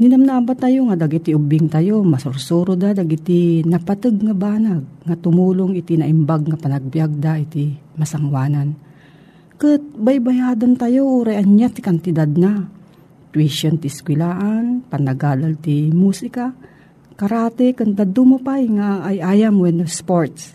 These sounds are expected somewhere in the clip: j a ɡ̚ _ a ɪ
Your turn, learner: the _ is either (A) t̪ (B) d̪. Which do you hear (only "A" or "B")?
B